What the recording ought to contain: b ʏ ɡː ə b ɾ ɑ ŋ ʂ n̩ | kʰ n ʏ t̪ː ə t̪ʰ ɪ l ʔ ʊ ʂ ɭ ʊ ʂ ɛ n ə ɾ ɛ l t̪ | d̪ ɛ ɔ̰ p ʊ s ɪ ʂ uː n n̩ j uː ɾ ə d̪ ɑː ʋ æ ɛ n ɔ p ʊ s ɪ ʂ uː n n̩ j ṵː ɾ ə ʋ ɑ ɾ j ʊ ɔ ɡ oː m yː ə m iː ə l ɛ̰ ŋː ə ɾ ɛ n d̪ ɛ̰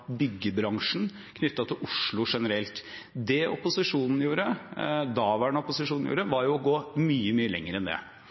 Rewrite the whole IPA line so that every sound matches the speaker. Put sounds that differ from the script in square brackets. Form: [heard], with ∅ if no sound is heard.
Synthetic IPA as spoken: b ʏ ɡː ə b ɾ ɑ ŋ ʂ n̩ | kʰ n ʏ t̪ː [ɑ] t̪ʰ ɪ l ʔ ʊ ʂ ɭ ʊ ʂ ɛ n ə ɾ ɛ l t̪ | d̪ ɛ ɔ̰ p ʊ s ɪ ʂ uː n n̩ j uː ɾ ə d̪ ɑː ʋ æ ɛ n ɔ p ʊ s ɪ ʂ uː n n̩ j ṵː ɾ ə ʋ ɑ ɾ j ʊ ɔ ɡ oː m yː ə m [yː] ə l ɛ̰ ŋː ə ɾ ɛ n d̪ ɛ̰